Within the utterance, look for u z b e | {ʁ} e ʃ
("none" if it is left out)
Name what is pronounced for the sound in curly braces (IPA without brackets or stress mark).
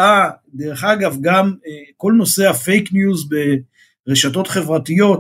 ʁ